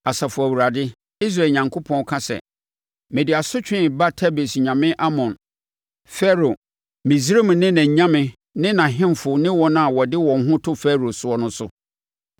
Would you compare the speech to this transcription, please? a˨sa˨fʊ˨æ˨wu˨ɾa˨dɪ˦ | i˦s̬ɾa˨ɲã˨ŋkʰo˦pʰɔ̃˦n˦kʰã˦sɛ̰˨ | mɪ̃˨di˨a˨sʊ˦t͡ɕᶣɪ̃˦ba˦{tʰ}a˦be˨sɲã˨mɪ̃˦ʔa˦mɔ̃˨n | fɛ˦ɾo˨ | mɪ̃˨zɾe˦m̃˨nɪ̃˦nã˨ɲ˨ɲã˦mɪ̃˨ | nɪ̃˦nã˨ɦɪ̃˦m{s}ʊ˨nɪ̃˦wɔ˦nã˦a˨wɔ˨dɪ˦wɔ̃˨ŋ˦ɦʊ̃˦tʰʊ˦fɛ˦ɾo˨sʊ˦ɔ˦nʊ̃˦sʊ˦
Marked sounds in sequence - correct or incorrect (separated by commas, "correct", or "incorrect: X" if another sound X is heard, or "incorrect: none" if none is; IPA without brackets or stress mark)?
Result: correct, incorrect: f